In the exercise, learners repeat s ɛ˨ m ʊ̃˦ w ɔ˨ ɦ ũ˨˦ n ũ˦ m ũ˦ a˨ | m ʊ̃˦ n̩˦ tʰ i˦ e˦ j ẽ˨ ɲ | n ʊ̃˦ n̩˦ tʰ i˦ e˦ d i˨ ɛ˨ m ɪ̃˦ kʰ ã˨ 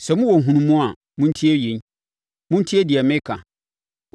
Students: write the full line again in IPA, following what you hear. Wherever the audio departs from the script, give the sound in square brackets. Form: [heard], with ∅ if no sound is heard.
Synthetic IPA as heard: s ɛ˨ m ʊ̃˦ w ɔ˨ ɦ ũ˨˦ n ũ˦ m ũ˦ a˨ | m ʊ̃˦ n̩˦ tʰ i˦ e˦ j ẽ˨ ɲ | [m] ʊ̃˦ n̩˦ tʰ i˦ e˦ d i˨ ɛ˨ m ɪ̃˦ kʰ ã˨

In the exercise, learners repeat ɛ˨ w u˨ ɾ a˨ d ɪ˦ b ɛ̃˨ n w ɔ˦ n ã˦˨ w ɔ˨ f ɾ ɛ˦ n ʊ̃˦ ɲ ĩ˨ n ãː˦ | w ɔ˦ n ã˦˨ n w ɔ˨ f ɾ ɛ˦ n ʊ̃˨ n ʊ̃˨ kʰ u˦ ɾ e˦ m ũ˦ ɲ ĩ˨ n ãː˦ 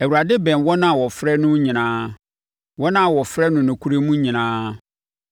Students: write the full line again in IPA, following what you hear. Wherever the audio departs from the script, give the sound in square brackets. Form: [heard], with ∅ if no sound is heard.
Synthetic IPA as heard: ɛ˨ w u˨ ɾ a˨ d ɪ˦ b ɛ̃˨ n w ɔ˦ n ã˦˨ w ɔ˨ f ɾ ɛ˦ n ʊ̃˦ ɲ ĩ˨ n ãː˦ | w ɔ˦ n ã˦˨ [∅] w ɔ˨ f ɾ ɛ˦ n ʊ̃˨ n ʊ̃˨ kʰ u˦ ɾ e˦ m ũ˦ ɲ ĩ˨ n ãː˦

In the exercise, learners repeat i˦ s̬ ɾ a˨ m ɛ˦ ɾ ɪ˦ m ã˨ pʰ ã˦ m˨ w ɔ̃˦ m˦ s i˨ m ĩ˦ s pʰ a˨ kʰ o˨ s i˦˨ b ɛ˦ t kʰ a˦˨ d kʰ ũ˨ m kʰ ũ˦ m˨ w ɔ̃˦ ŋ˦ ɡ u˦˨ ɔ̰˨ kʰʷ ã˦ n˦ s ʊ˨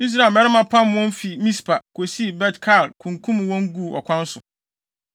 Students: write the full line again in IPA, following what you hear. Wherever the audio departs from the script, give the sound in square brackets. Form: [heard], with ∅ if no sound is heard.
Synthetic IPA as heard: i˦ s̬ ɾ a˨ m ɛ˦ ɾ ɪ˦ m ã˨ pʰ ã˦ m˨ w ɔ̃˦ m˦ [f] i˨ m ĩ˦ s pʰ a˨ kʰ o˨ s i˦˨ b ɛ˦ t kʰ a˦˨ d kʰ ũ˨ [ŋ] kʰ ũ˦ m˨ w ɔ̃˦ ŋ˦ ɡ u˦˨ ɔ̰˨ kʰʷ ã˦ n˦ s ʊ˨

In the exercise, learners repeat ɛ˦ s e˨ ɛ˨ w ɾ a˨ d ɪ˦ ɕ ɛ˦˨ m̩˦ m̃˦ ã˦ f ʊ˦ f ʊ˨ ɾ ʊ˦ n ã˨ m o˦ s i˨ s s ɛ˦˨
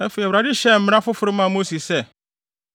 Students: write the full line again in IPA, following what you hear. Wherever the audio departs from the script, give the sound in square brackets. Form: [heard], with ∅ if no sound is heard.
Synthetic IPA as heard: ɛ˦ [f] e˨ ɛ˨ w ɾ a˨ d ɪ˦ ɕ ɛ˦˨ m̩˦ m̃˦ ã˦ f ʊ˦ f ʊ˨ ɾ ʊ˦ [m] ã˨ m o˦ s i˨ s s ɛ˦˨

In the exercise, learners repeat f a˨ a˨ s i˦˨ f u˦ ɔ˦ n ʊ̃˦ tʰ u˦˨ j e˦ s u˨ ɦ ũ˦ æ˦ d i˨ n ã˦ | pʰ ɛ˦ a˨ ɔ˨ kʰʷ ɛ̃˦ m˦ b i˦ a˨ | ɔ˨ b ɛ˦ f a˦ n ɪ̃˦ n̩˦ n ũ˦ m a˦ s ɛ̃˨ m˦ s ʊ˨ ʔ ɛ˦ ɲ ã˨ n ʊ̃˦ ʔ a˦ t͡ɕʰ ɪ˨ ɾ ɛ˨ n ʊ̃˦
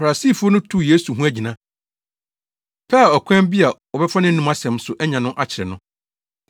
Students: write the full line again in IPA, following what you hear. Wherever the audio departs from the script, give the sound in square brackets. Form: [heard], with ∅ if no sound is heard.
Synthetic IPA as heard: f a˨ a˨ s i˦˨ f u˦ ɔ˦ n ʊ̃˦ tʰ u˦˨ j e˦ s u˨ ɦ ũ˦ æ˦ [d͡ʑ] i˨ n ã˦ | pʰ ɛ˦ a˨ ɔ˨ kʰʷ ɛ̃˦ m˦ b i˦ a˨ | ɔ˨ b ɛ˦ f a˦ n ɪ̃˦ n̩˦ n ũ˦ m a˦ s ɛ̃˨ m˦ s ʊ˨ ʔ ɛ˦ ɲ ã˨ n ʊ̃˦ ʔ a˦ t͡ɕʰ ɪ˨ ɾ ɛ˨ n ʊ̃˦

